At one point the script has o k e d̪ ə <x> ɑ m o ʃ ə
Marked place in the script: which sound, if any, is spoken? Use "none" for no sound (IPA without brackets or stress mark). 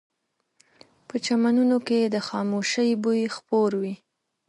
x